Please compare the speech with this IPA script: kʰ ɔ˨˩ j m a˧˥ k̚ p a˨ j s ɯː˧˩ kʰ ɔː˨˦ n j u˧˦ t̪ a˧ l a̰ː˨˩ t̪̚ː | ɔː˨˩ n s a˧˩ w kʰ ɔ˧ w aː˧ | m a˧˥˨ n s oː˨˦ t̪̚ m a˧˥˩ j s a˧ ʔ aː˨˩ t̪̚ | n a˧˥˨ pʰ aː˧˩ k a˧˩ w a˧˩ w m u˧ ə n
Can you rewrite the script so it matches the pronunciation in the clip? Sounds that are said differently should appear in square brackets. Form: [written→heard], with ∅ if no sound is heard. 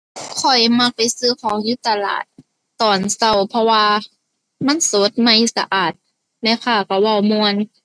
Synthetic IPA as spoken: kʰ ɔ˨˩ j m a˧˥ k̚ p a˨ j s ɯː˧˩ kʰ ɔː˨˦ [n→ŋ] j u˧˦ t̪ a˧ l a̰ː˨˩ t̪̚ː | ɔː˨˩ n s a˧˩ w [kʰ→pʰ] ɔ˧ w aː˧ | m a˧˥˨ n s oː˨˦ t̪̚ m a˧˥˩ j s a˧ ʔ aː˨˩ t̪̚ | n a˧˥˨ pʰ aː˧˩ k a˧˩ w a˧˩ w m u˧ ə n